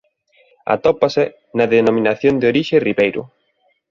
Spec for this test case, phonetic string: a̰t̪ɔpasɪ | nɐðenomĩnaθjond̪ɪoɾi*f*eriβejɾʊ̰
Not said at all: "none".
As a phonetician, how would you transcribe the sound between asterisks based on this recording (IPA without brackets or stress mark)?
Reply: ʃ